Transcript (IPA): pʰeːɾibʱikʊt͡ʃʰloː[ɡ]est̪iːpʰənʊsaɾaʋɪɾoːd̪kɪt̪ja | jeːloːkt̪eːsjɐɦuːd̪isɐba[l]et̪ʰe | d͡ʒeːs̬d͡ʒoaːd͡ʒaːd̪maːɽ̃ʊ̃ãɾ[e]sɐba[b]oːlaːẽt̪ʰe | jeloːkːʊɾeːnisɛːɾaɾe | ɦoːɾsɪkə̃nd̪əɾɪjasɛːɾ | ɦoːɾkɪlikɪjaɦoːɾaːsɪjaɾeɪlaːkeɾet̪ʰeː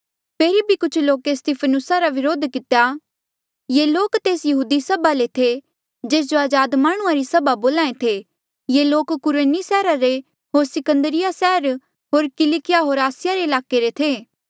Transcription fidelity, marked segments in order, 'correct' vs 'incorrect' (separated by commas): incorrect, correct, incorrect, correct